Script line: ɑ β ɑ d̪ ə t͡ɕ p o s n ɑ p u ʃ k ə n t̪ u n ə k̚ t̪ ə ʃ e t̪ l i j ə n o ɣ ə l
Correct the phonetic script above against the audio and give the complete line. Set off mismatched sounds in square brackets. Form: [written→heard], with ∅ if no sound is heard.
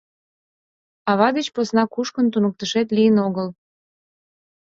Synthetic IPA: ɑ β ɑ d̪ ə t͡ɕ p o s n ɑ [p→k] u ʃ k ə n t̪ u n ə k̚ t̪ ə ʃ e t̪ l i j ə n o ɣ ə l